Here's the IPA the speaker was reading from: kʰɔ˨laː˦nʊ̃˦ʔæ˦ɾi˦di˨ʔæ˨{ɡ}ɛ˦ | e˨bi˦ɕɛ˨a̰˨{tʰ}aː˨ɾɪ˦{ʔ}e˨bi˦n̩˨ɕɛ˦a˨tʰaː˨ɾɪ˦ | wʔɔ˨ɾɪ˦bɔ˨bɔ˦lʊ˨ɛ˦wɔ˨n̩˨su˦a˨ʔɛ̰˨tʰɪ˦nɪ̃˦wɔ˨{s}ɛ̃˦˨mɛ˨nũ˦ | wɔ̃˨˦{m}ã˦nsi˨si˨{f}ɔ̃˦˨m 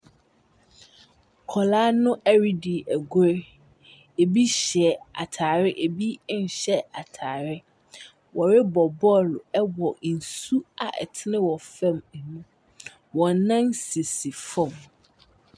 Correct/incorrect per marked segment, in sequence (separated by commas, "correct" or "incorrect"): correct, correct, correct, incorrect, incorrect, correct